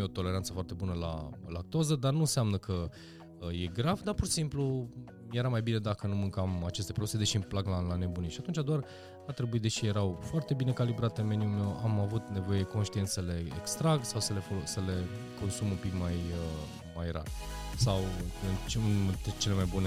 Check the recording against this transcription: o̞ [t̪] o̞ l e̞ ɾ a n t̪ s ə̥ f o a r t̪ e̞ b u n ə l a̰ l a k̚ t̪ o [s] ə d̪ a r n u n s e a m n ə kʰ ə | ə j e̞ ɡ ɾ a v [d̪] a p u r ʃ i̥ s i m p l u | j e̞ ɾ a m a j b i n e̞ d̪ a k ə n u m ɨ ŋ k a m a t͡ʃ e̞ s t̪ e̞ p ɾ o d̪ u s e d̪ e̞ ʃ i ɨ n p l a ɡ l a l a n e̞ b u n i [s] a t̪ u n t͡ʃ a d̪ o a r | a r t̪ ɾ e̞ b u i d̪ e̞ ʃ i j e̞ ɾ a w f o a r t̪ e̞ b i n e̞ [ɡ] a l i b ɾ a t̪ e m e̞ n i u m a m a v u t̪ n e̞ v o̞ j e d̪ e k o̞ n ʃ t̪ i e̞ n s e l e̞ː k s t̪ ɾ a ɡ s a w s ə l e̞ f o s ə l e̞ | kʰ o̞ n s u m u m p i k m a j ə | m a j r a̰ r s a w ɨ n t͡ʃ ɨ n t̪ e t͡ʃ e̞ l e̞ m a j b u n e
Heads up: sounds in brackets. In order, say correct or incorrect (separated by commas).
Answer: correct, incorrect, correct, incorrect, incorrect